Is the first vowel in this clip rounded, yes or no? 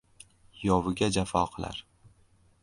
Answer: yes